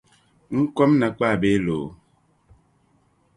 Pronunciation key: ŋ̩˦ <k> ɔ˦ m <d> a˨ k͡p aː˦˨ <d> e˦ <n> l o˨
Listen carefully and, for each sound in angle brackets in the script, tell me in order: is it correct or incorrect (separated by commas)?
correct, incorrect, incorrect, incorrect